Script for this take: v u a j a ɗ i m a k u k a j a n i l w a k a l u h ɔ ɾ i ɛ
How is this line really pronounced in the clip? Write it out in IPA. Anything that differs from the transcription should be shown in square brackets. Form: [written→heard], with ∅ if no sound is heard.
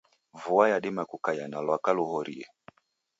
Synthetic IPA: v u a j a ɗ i m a k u k a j a n [i→a] l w a k a l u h ɔ ɾ i ɛ